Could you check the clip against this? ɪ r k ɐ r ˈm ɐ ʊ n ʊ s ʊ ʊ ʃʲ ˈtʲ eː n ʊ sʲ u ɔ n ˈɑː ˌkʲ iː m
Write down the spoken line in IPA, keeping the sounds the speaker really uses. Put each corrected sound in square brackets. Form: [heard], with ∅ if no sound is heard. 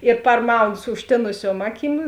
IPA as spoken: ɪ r [p] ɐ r ˈm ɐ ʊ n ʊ s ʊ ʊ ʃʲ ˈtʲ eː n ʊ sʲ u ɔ [m] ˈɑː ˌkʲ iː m